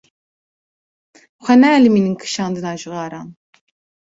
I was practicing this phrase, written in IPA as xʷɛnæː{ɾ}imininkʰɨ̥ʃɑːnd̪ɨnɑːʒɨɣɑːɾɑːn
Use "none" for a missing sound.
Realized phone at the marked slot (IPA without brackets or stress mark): l